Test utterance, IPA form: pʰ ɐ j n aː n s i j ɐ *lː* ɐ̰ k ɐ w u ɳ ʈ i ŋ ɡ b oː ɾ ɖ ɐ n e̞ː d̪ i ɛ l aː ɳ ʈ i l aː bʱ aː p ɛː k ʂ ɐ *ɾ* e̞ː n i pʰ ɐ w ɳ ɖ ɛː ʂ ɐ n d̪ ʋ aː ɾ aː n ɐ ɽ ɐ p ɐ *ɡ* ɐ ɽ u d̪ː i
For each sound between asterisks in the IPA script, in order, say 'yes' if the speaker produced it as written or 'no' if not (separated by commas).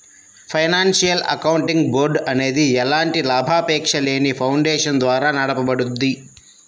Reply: no, no, no